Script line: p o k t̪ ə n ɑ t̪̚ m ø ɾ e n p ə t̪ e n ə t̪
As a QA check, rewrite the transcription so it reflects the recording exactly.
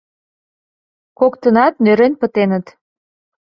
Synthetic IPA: k o k t̪ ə n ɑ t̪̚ n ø ɾ e n p ə t̪ e n ə t̪